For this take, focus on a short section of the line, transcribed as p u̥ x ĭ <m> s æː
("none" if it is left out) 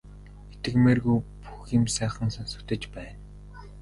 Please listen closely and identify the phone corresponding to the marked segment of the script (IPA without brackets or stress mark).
m